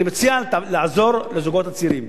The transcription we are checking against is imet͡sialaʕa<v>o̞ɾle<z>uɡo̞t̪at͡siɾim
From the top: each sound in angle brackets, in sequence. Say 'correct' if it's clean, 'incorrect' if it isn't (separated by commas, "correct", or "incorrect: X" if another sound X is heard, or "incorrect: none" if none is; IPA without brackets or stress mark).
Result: incorrect: z, correct